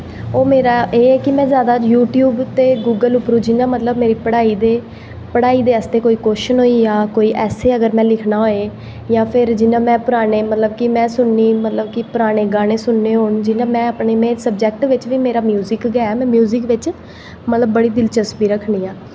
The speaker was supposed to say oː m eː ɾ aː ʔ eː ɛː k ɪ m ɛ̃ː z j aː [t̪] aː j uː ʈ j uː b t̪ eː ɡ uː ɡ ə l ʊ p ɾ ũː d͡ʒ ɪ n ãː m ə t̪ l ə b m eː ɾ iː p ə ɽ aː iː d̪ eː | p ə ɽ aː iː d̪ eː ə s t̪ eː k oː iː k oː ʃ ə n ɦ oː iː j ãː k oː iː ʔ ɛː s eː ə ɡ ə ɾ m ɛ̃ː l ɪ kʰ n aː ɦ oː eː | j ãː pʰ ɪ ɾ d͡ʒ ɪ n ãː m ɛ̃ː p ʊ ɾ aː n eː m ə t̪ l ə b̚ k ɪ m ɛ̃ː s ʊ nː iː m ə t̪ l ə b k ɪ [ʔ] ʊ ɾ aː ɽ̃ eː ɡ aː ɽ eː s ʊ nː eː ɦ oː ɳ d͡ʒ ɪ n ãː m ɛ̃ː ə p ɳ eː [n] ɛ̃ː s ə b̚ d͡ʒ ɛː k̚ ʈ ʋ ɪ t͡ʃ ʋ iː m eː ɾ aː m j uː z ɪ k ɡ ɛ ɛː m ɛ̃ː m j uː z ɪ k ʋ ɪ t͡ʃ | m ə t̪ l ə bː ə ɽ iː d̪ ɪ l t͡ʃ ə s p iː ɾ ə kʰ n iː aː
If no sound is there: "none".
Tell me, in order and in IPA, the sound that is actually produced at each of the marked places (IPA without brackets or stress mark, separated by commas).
d̪, p, m